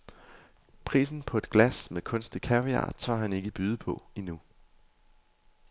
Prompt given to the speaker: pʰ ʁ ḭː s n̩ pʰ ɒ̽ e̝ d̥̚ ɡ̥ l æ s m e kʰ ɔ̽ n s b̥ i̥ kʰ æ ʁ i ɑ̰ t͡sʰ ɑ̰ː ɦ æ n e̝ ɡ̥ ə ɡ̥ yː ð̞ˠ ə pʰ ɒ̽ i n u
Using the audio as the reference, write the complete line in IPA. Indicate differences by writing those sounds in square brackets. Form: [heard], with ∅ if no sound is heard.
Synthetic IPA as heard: pʰ ʁ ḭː s n̩ pʰ ɒ̽ e̝ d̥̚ ɡ̥ l æ s m e kʰ ɔ̽ n s [d̥] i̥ kʰ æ ʁ i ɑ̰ t͡sʰ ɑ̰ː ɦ æ n e̝ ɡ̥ ə [b̥] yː ð̞ˠ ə pʰ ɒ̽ i n u